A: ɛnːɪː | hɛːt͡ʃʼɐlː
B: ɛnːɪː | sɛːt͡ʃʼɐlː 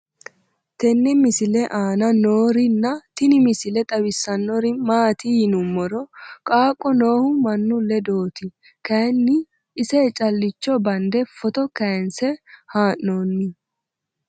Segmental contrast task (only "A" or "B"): B